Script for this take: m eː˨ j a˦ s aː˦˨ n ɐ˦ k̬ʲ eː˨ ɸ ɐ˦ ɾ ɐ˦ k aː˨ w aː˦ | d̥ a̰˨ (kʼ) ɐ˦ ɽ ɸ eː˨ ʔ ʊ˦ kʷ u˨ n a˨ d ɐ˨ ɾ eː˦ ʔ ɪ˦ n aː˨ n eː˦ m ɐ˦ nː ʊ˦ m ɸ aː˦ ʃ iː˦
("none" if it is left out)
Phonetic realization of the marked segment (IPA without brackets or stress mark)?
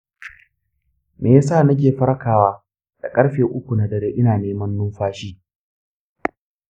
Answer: kʼ